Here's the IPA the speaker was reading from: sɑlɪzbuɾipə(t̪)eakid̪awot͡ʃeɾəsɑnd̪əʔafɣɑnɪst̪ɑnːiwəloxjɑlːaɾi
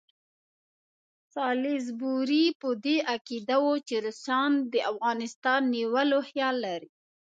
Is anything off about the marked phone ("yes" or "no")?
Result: yes